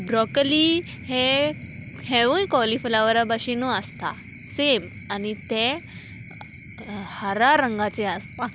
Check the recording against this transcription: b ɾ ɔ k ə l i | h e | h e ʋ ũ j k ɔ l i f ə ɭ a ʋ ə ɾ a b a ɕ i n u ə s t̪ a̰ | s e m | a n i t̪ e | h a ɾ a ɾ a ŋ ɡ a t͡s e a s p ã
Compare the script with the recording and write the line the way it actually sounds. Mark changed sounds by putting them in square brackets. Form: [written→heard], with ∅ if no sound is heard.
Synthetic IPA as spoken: b ɾ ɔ k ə l i | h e | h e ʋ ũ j k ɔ l i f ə [ɭ→l] a ʋ ə ɾ a b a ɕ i n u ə s t̪ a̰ | s e m | a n i t̪ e | h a ɾ a ɾ [a→ə] ŋ ɡ a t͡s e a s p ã